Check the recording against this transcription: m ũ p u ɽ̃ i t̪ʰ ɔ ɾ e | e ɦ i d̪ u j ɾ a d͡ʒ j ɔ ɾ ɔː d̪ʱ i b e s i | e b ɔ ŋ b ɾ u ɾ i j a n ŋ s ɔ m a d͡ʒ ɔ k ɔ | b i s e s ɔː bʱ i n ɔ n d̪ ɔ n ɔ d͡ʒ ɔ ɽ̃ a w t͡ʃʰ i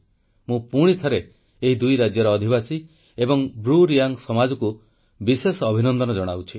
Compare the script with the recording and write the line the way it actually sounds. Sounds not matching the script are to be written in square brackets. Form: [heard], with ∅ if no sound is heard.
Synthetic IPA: m ũ p u ɽ̃ i t̪ʰ ɔ ɾ e | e ɦ i d̪ u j ɾ a d͡ʒ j ɔ ɾ ɔː d̪ʱ i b [a] s i | e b ɔ ŋ b ɾ u ɾ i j a [∅] ŋ s ɔ m a d͡ʒ ɔ k [u] | b i s e s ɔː bʱ i n ɔ n d̪ ɔ n ɔ d͡ʒ ɔ ɽ̃ a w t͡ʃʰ i